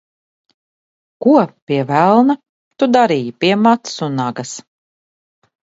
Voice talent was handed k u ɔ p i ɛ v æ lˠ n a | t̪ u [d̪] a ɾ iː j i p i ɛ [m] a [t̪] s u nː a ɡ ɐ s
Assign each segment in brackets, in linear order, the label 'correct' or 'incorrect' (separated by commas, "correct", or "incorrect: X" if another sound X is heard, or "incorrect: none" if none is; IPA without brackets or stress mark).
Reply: correct, correct, correct